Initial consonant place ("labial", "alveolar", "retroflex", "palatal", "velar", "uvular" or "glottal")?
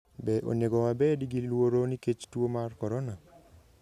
labial